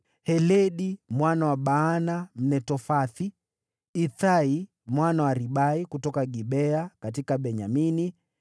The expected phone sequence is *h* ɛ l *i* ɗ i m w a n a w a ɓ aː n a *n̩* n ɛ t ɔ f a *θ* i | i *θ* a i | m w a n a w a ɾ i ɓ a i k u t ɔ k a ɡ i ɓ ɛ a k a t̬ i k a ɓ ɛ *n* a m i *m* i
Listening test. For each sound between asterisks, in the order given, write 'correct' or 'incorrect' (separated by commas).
correct, incorrect, incorrect, correct, correct, incorrect, incorrect